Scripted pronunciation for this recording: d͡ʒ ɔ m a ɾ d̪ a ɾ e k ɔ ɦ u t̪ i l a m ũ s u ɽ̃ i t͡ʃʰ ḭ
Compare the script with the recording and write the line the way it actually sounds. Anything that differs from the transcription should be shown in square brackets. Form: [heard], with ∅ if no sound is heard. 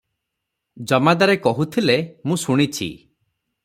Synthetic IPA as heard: d͡ʒ ɔ m a [∅] d̪ a ɾ e k ɔ ɦ u [t̪ʰ] i l [e] m ũ s u ɽ̃ i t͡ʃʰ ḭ

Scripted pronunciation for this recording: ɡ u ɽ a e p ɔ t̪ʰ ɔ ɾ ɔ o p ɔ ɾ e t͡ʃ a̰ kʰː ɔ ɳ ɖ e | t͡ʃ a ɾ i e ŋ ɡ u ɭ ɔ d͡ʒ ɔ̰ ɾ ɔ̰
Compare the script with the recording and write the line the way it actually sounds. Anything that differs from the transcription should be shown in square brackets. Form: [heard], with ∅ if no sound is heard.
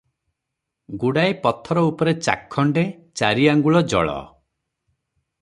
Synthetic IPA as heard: ɡ u ɽ a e p ɔ t̪ʰ ɔ ɾ ɔ [u] p ɔ ɾ e t͡ʃ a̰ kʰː ɔ ɳ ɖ e | t͡ʃ a ɾ i [a] ŋ ɡ u ɭ ɔ d͡ʒ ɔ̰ [ɭ] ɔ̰

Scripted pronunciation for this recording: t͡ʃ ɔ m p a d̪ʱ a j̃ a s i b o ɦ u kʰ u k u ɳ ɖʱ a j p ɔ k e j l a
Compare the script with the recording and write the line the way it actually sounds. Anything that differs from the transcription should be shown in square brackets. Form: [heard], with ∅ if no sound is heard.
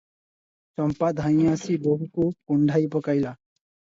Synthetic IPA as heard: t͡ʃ ɔ m p a d̪ʱ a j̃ a s i b o ɦ u [k] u k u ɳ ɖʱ a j p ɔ k [a] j l a

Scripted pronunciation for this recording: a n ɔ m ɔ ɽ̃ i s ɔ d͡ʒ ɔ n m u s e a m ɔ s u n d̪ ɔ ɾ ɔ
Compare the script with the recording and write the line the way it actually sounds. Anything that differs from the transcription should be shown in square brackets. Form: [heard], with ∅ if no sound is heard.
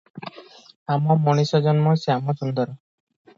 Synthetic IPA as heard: a [m] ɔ m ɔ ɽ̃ i s ɔ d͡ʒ ɔ n m [ɔ] s e a m ɔ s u n d̪ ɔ ɾ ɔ

